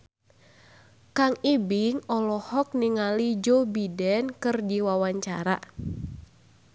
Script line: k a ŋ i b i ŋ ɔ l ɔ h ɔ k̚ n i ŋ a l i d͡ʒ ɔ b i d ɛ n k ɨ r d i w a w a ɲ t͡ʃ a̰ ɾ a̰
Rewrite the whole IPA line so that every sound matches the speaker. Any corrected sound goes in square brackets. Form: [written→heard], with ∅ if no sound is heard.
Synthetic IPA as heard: k a ŋ i b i ŋ ɔ l ɔ h ɔ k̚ n i ŋ a l i d͡ʒ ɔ b i d ɛ n k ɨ r d i w a w a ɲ t͡ʃ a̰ ɾ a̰